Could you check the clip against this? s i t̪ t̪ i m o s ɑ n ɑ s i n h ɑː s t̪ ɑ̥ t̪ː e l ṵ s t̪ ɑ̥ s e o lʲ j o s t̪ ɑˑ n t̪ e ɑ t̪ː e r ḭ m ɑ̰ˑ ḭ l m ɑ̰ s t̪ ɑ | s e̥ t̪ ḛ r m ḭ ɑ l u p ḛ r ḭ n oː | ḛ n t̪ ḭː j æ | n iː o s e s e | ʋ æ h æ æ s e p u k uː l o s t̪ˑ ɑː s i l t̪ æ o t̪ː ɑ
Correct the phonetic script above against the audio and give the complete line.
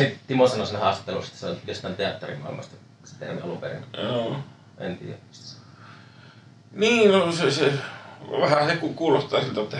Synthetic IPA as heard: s i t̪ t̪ i m o s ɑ n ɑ s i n h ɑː s t̪ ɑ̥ t̪ː e l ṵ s t̪ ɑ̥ s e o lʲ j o s t̪ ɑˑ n t̪ e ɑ t̪ː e r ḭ m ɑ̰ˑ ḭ l m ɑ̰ s t̪ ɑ | s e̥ t̪ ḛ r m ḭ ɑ l u p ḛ r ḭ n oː | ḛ n t̪ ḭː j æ | n iː o s e s e | ʋ æ h æ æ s e k u k uː l o s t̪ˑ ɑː s i l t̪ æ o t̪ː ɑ